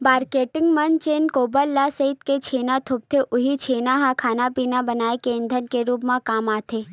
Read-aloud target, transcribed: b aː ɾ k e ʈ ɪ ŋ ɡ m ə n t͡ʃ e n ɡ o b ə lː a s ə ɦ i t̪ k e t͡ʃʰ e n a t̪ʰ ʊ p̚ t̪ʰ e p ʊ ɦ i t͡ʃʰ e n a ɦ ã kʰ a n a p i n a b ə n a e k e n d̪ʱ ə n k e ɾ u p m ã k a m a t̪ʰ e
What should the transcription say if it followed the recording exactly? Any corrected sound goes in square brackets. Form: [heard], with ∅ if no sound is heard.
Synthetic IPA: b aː ɾ k e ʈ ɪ ŋ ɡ m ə n t͡ʃ e n [k] o b ə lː a s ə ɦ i t̪ k e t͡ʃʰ e n a t̪ʰ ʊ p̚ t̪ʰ e [ʔ] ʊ ɦ i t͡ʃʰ e n a ɦ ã kʰ a n a p i n a b ə n a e k e n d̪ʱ ə n k e ɾ u p m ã k a m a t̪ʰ e